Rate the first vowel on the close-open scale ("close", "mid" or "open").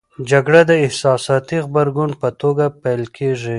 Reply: open